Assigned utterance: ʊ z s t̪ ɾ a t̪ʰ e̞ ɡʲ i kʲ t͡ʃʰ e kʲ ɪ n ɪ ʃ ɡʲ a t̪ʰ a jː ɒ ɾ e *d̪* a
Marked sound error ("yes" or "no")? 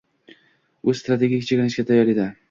no